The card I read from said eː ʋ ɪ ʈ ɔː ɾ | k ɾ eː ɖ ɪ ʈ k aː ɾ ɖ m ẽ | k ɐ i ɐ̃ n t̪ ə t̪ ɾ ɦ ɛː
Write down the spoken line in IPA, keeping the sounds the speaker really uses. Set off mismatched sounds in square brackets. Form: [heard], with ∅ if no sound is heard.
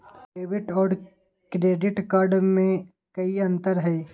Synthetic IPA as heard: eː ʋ ɪ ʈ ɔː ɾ | k ɾ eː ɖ ɪ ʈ k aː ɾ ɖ m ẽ | k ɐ i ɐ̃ n t̪ ə [∅] ɾ ɦ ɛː